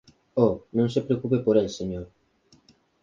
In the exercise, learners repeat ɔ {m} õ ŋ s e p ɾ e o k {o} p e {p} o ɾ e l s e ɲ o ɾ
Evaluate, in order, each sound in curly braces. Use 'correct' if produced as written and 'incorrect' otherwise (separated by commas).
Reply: incorrect, incorrect, correct